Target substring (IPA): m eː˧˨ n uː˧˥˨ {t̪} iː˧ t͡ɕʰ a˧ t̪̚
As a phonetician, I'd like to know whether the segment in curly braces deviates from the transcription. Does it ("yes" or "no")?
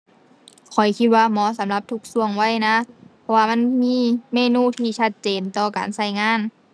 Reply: yes